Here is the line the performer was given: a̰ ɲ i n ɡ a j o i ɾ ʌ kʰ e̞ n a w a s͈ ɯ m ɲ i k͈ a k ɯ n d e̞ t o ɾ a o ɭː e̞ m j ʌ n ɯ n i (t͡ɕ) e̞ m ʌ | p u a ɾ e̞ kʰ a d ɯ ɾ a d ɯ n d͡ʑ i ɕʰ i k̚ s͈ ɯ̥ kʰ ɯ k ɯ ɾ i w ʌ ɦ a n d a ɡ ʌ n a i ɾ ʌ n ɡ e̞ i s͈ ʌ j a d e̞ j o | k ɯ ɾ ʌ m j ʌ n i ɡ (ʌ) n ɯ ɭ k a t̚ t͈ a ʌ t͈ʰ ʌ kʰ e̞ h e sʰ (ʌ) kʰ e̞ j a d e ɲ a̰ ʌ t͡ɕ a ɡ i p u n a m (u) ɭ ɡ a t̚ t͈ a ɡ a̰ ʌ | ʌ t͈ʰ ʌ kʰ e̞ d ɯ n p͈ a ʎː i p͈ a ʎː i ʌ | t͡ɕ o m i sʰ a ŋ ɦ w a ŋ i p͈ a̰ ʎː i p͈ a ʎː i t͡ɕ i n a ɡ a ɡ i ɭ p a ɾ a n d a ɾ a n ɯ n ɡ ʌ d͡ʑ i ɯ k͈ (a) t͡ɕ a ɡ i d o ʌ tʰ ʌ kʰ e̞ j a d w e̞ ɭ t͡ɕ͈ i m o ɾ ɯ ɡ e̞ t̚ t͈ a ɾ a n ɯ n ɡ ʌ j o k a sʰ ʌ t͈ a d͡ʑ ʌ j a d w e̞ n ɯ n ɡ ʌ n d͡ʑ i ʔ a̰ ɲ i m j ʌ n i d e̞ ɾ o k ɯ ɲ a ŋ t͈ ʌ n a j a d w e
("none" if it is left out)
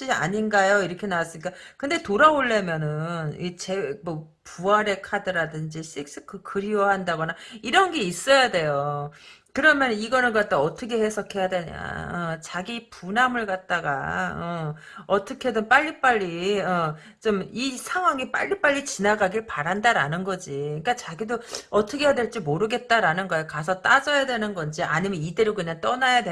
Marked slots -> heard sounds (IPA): t͡ɕ, ʌ, ʌ, ɯ, a

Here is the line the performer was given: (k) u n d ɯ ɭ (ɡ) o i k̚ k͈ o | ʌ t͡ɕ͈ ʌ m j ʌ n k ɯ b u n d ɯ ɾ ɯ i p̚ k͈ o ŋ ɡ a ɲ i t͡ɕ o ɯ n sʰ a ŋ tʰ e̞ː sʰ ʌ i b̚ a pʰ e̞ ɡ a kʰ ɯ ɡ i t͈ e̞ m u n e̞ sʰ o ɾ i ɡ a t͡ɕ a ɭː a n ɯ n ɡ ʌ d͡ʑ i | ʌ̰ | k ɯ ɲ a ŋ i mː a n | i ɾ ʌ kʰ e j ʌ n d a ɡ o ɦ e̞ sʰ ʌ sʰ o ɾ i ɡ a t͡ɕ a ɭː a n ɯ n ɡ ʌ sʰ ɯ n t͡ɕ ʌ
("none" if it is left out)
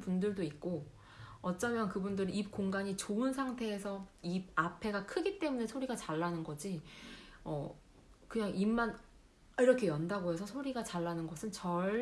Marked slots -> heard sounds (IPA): p, d

